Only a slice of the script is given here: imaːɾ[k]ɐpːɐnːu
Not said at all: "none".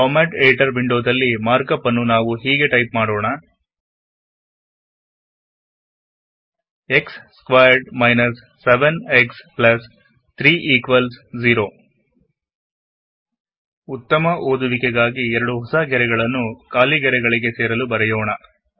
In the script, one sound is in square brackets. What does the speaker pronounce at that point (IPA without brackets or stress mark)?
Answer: k